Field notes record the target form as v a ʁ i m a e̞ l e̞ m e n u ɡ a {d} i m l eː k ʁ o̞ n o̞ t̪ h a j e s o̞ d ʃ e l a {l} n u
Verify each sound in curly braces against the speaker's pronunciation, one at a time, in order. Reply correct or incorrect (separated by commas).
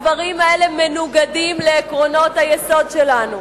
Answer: correct, incorrect